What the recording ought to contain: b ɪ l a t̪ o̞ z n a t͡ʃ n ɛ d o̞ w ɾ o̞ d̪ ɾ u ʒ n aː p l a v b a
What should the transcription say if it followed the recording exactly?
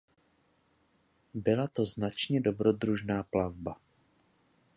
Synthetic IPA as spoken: b ɪ l a t̪ o̞ z n a t͡ʃ ɲ ɛ d o̞ b ɾ o̞ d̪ ɾ u ʒ n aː p l a v b a